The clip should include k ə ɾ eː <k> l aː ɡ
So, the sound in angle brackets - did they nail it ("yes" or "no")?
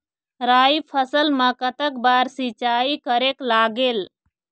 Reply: yes